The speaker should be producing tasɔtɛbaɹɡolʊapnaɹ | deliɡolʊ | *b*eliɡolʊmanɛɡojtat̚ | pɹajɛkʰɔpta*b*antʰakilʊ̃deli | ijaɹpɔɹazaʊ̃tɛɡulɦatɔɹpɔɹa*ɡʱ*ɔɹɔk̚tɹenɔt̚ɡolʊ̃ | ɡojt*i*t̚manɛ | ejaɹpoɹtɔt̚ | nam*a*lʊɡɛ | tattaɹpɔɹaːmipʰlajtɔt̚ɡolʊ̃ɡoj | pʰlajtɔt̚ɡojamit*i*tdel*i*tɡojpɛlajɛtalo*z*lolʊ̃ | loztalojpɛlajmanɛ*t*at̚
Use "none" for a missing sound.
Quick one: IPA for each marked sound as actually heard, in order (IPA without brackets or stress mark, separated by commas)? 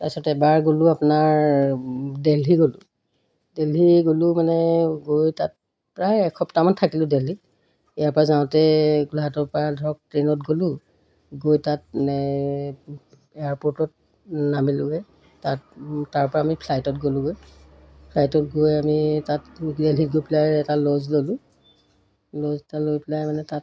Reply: d, m, dʱ, a, i, a, i, z, t